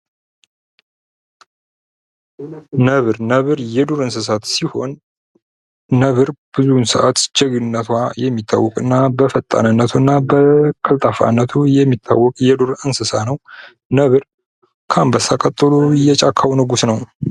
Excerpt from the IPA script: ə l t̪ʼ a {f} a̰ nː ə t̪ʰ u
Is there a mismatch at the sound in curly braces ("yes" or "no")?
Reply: no